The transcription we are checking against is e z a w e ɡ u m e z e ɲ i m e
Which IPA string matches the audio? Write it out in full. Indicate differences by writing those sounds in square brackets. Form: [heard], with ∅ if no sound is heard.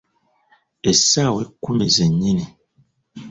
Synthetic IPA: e [s] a w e [k] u m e z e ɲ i [n] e